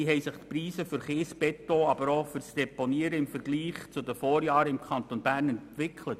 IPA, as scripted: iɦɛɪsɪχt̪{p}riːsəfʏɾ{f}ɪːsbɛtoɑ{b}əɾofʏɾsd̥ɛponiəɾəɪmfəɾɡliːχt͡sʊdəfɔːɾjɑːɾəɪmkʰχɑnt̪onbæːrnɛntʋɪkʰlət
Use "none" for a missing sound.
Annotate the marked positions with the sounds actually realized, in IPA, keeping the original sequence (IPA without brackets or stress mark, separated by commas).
p, χ, b